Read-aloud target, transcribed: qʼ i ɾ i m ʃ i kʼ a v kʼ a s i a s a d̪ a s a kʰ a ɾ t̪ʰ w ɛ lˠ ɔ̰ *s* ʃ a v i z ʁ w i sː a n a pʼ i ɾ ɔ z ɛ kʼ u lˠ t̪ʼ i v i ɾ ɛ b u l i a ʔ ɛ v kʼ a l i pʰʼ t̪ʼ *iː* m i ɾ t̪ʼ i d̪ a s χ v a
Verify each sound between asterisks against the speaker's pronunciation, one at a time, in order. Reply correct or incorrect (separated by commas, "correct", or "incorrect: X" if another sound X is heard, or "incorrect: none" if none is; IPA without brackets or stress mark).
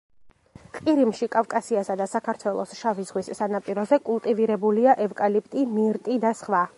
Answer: correct, incorrect: i